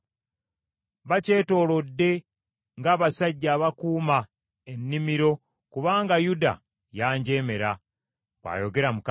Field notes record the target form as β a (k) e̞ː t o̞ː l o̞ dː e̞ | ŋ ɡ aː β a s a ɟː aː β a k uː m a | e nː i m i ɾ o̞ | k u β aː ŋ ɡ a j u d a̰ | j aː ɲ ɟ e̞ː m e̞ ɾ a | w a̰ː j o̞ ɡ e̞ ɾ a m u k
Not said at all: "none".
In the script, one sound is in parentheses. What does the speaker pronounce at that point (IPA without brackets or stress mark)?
c